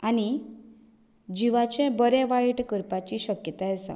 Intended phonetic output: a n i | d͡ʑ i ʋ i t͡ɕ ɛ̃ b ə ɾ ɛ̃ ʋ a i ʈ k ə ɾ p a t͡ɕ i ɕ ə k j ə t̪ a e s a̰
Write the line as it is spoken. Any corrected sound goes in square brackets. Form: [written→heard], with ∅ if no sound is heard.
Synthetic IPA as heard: a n i | d͡ʑ i ʋ [i→a] t͡ɕ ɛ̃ b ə ɾ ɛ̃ ʋ a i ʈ k ə ɾ p a t͡ɕ i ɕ ə k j ə t̪ a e s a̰